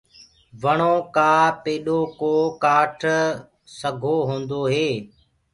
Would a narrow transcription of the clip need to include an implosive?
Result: yes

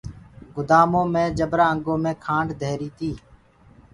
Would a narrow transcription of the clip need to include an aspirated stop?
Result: yes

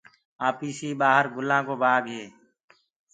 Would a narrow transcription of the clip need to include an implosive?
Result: no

